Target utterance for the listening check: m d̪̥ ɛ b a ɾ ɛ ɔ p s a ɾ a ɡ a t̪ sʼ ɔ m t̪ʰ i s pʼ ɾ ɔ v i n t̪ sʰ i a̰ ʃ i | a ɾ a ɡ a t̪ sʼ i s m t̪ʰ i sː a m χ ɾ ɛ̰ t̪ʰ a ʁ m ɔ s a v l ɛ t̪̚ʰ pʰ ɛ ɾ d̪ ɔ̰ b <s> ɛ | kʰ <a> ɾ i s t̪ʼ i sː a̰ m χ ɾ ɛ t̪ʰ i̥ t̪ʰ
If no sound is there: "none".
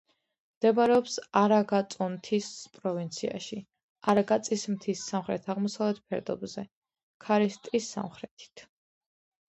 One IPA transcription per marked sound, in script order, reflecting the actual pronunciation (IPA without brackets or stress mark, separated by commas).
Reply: z, a